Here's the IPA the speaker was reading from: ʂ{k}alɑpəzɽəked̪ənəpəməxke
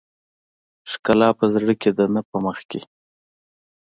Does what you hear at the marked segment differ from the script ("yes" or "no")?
no